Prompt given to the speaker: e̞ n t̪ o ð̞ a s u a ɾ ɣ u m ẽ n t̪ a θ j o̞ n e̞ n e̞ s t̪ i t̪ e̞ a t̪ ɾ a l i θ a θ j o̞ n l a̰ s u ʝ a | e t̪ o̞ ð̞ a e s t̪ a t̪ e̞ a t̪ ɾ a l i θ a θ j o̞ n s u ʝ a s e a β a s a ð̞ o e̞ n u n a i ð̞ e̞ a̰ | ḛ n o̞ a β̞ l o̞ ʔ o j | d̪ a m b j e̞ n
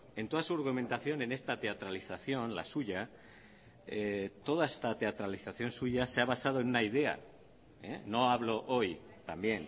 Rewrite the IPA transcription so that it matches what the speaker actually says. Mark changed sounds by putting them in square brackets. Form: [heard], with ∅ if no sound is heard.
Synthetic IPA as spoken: e̞ n t̪ o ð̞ a s u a ɾ ɣ u m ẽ n t̪ a θ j o̞ n e̞ n e̞ s t̪ [a] t̪ e̞ a t̪ ɾ a l i θ a θ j o̞ n l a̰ s u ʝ a | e t̪ o̞ ð̞ a e s t̪ a t̪ e̞ a t̪ ɾ a l i θ a θ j o̞ n s u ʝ a s e a β a s a ð̞ o e̞ n u n a i ð̞ e̞ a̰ | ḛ n o̞ a β̞ l o̞ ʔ o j | [t̪] a m b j e̞ n